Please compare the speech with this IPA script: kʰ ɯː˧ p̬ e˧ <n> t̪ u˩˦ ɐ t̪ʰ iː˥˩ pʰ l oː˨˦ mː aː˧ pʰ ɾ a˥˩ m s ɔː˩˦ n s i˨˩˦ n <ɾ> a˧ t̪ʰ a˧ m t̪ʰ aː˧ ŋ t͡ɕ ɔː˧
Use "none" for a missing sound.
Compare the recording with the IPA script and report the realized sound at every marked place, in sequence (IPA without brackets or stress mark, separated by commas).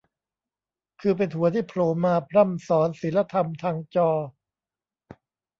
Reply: n, l